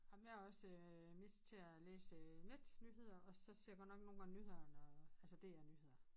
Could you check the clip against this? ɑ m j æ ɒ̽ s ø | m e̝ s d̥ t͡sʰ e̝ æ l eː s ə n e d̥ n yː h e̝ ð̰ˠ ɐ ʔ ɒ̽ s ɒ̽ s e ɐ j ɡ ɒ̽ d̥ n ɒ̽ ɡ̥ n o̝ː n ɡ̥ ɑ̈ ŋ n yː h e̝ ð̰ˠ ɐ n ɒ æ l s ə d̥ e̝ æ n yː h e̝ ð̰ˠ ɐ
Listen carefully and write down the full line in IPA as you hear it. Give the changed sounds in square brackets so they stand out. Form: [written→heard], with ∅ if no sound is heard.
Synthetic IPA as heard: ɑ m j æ ɒ̽ s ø | m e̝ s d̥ t͡sʰ e̝ æ l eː s ə n e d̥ n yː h e̝ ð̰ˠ ɐ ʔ ɒ̽ s ɒ̽ s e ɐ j ɡ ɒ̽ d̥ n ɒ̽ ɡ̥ n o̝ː n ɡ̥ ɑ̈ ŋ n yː h e̝ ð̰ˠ ɐ n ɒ æ l s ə d̥ e̝ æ n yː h e̝ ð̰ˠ ɐ